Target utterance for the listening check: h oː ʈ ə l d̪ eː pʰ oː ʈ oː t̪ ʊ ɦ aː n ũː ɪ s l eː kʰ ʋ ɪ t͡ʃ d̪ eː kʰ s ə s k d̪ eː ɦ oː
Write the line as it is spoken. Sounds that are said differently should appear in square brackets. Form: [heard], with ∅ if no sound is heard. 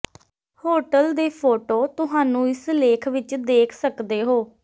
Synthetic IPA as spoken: h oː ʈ ə l d̪ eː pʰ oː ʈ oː t̪ ʊ ɦ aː n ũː ɪ s l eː kʰ ʋ ɪ t͡ʃ d̪ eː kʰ s ə [∅] k d̪ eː ɦ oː

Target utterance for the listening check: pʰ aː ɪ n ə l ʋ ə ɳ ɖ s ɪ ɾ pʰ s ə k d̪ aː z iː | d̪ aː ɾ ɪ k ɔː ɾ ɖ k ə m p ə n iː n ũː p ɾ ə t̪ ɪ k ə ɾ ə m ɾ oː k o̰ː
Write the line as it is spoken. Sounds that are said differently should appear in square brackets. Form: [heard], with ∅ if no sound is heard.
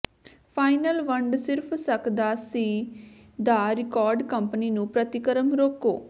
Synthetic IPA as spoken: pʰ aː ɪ n ə l ʋ ə ɳ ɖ s ɪ ɾ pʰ s ə k d̪ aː [s] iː | d̪ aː ɾ ɪ k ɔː ɾ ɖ k ə m p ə n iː n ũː p ɾ ə t̪ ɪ k ə ɾ ə m ɾ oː k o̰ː

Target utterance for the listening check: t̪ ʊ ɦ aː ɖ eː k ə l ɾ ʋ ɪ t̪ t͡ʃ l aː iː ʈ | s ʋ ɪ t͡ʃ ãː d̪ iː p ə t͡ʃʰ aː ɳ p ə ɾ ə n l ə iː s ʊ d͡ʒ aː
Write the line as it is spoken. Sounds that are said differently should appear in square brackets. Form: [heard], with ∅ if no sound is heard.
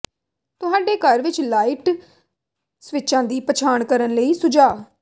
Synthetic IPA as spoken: t̪ ʊ ɦ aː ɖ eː k ə [∅] ɾ ʋ ɪ [∅] t͡ʃ l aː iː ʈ | s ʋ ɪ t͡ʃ ãː d̪ iː p ə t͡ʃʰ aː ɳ [k] ə ɾ ə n l ə iː s ʊ d͡ʒ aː

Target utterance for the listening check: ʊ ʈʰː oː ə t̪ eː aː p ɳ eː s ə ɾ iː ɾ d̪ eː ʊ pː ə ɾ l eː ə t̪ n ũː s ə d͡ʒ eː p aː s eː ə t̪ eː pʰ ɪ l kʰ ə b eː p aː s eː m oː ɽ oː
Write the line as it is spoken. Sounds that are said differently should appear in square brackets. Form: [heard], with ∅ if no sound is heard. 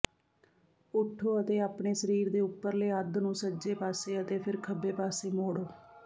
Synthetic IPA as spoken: ʊ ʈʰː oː ə t̪ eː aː p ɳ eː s ə ɾ iː ɾ d̪ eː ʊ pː ə ɾ l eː ə [d̪] n ũː s ə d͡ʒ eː p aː s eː ə t̪ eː pʰ ɪ [ɾ] kʰ ə b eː p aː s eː m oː ɽ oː

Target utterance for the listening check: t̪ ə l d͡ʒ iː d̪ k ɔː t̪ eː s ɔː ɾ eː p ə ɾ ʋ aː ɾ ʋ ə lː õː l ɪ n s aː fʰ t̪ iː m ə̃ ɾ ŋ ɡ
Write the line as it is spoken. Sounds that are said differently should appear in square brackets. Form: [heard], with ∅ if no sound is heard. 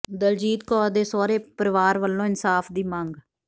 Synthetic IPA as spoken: [d̪] ə l d͡ʒ iː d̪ k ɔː [d̪] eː s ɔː ɾ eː p ə ɾ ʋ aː ɾ ʋ ə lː õː [∅] ɪ n s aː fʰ [d̪] iː m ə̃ [∅] ŋ ɡ

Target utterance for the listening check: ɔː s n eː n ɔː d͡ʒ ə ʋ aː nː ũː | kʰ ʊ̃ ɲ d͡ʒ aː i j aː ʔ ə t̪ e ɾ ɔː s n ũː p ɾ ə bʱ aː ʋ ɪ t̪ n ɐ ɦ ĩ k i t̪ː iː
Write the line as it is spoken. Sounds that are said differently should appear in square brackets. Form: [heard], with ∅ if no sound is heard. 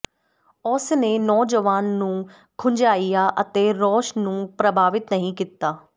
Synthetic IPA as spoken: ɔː s n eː n ɔː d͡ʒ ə ʋ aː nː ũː | kʰ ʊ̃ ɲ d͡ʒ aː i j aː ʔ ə t̪ e ɾ ɔː [ʃ] n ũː p ɾ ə bʱ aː ʋ ɪ t̪ n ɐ ɦ ĩ k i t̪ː [aː]

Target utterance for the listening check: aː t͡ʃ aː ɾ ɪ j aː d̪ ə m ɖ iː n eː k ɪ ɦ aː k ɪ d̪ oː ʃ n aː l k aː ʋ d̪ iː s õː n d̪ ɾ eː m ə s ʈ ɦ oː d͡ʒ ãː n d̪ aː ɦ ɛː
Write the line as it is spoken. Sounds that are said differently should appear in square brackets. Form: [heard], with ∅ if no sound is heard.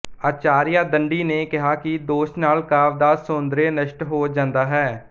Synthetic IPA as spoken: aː t͡ʃ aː ɾ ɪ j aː d̪ ə [ɳ] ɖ iː n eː k ɪ ɦ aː k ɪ d̪ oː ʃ n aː l k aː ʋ d̪ [aː] s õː n d̪ ɾ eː [n] ə [ʃ] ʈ ɦ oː d͡ʒ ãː n d̪ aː ɦ ɛː

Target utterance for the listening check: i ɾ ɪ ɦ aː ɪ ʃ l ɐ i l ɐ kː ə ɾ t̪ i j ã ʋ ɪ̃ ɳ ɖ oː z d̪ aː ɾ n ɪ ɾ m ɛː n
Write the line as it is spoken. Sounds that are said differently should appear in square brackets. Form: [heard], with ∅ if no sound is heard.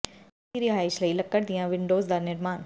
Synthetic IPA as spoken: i ɾ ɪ ɦ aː ɪ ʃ l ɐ i l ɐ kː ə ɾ [d̪] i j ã ʋ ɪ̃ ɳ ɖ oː z d̪ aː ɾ n ɪ ɾ m [aː] n

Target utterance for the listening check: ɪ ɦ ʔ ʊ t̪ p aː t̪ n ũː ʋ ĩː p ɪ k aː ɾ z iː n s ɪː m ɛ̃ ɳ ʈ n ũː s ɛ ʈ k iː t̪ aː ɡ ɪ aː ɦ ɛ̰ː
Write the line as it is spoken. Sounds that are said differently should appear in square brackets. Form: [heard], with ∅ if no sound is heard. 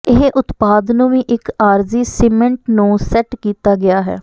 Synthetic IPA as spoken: ɪ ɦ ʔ ʊ t̪ p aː [d̪] n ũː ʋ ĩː [ʔ] ɪ k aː ɾ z iː [∅] s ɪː m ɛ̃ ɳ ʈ n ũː s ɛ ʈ k iː t̪ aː ɡ ɪ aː ɦ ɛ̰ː

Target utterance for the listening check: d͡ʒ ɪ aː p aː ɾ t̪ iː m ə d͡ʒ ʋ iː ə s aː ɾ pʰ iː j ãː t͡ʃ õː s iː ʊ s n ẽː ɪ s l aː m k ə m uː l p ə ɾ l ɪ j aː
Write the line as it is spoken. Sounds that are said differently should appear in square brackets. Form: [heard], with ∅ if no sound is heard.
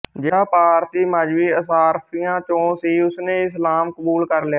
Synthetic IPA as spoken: d͡ʒ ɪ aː p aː ɾ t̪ iː m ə d͡ʒ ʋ iː ə s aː ɾ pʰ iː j ãː t͡ʃ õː s iː ʊ s n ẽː ɪ s l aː m k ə [b] uː l [k] ə ɾ l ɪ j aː

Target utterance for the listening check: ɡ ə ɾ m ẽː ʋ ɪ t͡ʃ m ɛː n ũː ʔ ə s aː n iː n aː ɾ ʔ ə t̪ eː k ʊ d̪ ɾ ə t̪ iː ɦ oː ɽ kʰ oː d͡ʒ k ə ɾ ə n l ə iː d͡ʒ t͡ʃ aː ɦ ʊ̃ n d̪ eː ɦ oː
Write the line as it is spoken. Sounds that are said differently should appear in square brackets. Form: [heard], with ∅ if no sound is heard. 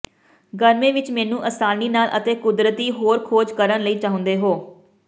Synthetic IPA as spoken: ɡ ə ɾ m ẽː ʋ ɪ t͡ʃ m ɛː n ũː ʔ ə s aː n iː n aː [l] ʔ ə t̪ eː k ʊ d̪ ɾ ə t̪ iː ɦ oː [ɾ] kʰ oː d͡ʒ k ə ɾ ə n l ə iː [∅] t͡ʃ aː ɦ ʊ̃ n d̪ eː ɦ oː

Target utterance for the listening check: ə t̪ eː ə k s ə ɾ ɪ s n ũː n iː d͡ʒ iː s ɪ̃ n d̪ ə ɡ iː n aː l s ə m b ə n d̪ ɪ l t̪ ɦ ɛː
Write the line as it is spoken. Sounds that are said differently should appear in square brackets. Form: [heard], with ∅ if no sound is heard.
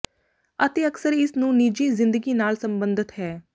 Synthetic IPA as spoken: ə t̪ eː ə k s ə ɾ ɪ s n ũː n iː d͡ʒ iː [z] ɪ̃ n d̪ ə ɡ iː n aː l s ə m b ə n d̪ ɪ [∅] t̪ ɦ ɛː

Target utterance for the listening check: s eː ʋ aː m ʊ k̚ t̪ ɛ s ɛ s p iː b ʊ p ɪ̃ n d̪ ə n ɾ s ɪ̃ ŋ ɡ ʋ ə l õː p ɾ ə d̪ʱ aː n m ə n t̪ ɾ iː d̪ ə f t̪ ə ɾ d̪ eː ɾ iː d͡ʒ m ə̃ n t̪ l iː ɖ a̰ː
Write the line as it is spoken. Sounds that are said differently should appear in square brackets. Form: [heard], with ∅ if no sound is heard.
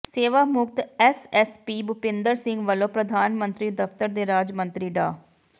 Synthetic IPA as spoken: s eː ʋ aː m ʊ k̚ t̪ ɛ s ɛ s p iː b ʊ p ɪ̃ n d̪ ə [∅] ɾ s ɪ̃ ŋ ɡ ʋ ə l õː p ɾ ə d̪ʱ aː n m ə n t̪ ɾ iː d̪ ə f t̪ ə ɾ d̪ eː ɾ [aː] d͡ʒ m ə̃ n t̪ [ɾ] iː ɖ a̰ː

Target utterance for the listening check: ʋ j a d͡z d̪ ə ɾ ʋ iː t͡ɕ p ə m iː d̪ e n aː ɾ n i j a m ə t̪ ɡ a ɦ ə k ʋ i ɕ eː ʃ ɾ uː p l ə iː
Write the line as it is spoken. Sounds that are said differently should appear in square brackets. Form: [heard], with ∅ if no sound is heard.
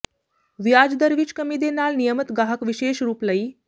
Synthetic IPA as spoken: ʋ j a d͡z d̪ ə ɾ ʋ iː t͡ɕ [k] ə m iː d̪ e n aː [l] n i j [ə] m ə t̪ ɡ a ɦ ə k ʋ i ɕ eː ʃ ɾ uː p l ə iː

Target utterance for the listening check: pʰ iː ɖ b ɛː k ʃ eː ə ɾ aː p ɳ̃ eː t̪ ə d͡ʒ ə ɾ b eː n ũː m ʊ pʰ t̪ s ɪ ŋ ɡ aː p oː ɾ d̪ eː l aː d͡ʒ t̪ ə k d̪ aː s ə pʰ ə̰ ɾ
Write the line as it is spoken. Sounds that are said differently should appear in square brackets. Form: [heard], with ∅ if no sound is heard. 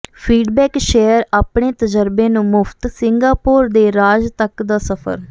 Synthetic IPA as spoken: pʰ iː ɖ b ɛː k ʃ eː ə ɾ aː p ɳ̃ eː t̪ ə d͡ʒ ə ɾ b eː n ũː m ʊ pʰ t̪ s ɪ ŋ ɡ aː p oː ɾ d̪ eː [ɾ] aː d͡ʒ t̪ ə k d̪ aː s ə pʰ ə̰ ɾ

